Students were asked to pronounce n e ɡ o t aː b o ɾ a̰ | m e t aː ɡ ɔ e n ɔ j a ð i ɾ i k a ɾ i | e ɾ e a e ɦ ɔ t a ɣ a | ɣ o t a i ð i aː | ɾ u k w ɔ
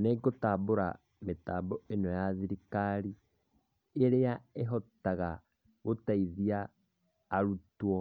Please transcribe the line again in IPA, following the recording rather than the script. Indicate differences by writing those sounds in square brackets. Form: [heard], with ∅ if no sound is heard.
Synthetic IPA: n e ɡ o t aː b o ɾ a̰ | m e t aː [b] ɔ e n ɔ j a ð i ɾ i k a ɾ i | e ɾ e a e ɦ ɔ t a ɣ a | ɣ o t a i ð i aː | ɾ u [t] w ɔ